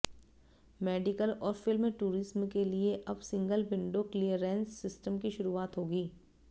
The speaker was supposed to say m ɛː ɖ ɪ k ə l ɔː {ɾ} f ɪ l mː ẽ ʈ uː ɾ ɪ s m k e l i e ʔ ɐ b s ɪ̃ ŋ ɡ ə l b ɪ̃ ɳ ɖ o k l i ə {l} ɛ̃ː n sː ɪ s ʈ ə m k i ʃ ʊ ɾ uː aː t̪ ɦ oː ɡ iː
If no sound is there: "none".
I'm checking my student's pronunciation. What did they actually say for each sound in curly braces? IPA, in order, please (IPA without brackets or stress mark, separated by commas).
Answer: ɾ, ɾ